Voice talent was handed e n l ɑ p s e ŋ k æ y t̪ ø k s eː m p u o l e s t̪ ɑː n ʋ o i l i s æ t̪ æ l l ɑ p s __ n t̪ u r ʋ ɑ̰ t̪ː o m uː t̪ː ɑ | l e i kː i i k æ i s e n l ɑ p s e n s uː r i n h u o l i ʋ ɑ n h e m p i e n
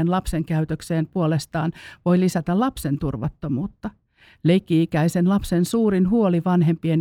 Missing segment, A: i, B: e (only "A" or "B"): B